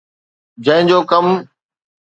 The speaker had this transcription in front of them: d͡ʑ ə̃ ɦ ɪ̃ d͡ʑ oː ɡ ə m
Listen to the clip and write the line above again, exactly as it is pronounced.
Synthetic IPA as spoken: d͡ʑ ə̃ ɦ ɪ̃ d͡ʑ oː k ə m